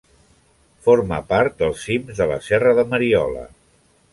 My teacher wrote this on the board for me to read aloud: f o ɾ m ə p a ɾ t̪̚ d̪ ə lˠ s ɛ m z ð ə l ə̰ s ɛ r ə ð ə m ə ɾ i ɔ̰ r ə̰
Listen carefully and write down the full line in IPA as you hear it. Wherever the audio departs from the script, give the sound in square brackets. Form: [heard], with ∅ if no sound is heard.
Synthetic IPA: f o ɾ m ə p a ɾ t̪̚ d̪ ə lˠ s [i] m z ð ə l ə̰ s ɛ r ə ð ə m ə ɾ i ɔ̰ [l] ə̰